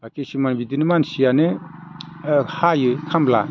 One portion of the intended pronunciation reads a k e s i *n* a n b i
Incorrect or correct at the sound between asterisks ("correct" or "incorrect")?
incorrect